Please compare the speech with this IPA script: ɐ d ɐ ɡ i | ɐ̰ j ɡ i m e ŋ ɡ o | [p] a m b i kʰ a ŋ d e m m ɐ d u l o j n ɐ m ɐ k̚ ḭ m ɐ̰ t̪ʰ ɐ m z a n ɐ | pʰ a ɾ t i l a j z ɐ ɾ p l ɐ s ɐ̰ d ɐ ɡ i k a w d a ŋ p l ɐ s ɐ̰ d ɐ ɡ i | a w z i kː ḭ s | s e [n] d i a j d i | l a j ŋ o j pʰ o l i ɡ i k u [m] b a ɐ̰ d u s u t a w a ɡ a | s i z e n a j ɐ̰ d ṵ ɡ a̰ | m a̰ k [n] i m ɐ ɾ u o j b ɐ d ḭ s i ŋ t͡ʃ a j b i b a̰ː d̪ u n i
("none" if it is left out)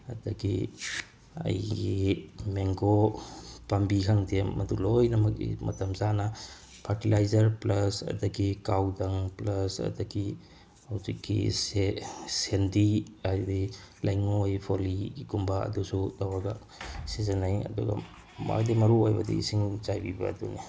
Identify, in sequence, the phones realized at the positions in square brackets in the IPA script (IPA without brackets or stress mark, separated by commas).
p, n, m, d